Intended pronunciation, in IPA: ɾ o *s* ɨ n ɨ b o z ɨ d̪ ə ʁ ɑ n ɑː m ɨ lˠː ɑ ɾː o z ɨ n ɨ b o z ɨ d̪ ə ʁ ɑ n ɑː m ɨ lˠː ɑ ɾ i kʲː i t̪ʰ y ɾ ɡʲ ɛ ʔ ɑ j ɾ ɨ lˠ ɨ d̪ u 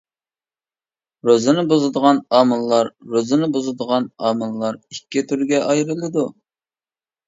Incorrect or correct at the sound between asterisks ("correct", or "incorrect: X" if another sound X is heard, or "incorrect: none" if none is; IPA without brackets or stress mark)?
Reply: incorrect: z